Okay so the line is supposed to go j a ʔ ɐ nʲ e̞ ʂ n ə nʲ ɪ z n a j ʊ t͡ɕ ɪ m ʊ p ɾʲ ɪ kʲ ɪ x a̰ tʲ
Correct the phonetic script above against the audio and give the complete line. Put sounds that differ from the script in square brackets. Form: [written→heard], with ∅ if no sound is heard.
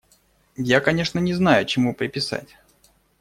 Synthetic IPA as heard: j a [ʔ→k] ɐ nʲ e̞ ʂ n ə nʲ ɪ z n a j ʊ t͡ɕ ɪ m [ʊ→u] p ɾʲ ɪ [kʲ→pʲ] ɪ [x→s] a̰ tʲ